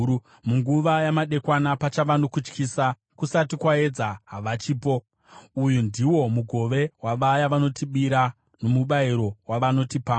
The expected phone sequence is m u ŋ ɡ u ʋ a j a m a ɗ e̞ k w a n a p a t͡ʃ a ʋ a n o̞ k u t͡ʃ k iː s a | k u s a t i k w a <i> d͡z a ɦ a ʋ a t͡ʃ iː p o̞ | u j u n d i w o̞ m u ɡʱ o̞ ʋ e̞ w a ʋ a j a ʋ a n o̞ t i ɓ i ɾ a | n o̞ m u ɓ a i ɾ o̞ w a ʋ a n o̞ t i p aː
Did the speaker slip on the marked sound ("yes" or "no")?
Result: yes